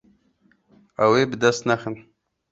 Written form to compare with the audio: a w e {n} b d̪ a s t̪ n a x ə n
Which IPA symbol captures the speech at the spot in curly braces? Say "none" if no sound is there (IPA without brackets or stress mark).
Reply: none